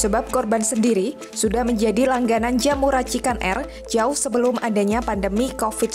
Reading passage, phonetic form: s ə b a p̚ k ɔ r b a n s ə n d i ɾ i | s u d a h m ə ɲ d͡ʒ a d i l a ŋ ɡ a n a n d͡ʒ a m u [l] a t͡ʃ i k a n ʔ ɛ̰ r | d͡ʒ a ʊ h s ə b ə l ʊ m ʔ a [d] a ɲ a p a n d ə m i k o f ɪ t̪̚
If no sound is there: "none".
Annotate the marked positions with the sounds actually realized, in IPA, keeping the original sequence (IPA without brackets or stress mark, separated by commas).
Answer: ɾ, d